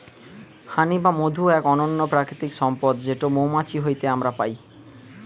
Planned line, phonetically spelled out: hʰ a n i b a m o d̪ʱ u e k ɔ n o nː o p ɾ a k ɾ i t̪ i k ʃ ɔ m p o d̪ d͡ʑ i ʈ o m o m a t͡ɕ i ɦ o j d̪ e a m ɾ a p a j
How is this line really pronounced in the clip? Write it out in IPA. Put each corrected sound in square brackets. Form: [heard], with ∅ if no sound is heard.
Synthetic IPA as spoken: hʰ a n i b a m o d̪ʱ u [ɛ] k ɔ n o nː o p ɾ a k ɾ i t̪ i k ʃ ɔ m p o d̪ d͡ʑ [e] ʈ o m o m a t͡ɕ i ɦ o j [t̪] e a m ɾ a p a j